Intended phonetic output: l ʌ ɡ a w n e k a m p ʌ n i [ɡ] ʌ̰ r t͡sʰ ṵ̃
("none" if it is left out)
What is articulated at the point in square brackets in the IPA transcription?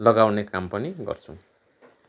ɡ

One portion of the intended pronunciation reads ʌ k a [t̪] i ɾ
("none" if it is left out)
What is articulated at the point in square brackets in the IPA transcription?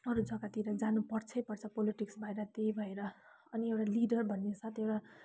t̪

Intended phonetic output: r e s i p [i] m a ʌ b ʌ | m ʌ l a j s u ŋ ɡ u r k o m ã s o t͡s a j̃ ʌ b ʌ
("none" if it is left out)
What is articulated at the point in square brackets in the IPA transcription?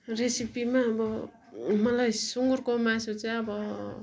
i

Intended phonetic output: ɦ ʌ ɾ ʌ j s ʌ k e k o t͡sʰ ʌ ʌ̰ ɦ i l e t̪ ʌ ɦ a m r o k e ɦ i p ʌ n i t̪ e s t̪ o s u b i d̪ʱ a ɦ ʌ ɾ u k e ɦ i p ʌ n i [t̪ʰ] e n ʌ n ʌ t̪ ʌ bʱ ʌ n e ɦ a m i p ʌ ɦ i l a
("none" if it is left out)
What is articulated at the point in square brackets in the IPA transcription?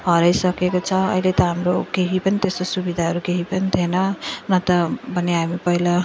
t̪ʰ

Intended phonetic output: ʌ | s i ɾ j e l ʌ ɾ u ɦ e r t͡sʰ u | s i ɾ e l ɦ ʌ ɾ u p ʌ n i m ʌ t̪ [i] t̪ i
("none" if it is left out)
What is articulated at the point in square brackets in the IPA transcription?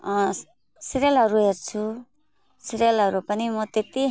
e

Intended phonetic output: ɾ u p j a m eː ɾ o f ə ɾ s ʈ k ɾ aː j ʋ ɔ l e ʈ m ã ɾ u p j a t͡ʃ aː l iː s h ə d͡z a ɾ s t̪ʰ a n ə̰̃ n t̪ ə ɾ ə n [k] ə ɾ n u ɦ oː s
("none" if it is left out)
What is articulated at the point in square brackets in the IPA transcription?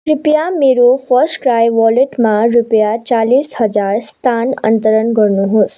ɡ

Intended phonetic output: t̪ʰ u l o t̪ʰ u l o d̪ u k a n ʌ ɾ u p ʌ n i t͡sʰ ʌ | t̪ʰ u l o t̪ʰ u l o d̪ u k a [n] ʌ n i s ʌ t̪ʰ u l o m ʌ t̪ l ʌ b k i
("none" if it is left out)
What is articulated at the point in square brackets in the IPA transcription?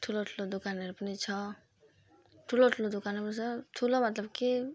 n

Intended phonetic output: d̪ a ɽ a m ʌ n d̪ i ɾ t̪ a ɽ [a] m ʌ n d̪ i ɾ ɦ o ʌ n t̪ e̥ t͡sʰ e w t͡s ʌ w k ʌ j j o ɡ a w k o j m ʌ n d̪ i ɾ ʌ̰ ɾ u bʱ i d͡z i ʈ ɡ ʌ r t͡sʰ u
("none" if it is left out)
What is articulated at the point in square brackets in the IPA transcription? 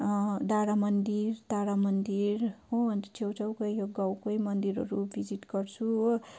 a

